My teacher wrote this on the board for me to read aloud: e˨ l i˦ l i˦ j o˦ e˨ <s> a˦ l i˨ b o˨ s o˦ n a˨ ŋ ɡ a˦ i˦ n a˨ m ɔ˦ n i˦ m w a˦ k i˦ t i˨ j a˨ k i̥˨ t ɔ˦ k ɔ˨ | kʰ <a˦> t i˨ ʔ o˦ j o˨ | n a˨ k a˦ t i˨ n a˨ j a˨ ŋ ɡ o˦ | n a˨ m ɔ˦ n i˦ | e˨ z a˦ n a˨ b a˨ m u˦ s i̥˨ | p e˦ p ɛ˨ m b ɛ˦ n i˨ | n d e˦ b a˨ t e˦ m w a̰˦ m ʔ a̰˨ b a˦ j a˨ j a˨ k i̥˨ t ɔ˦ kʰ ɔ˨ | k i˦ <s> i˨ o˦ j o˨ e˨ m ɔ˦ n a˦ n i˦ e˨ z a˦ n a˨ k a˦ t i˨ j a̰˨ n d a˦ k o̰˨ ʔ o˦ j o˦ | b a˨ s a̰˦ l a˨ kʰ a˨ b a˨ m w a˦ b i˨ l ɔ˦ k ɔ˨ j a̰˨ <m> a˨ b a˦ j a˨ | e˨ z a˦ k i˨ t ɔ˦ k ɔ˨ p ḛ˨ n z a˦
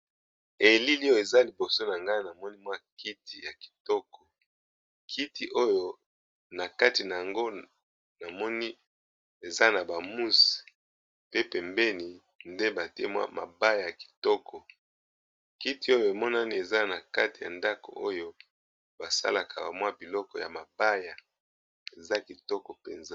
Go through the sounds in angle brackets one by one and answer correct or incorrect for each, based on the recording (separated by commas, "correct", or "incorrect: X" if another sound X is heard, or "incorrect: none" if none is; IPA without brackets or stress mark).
incorrect: z, incorrect: i˦, incorrect: t, correct